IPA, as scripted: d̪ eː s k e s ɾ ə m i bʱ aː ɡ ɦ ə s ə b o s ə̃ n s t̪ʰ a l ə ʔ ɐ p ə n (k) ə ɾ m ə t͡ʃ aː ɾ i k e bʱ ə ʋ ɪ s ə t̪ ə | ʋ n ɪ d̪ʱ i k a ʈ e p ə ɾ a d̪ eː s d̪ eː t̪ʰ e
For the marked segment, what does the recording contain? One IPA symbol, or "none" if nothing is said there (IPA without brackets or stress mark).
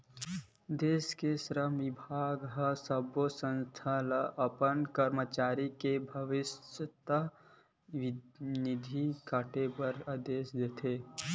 k